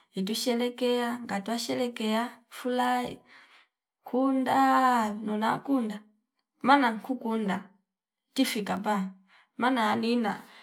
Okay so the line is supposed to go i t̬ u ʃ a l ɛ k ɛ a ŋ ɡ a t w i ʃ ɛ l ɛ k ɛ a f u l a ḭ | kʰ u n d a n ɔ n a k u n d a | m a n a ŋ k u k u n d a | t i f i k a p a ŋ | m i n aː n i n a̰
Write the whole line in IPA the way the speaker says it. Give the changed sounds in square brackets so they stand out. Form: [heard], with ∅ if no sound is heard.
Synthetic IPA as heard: i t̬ u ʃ [ɛ] l ɛ k ɛ a ŋ ɡ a t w [a] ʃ ɛ l ɛ k ɛ a f u l a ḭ | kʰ u n d a n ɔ n a k u n d a | m a n a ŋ k u k u n d a | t i f i k a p a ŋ | m [a] n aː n i n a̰